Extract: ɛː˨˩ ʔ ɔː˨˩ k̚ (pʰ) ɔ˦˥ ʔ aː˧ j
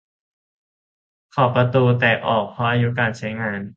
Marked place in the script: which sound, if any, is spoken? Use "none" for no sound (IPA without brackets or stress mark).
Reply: pʰ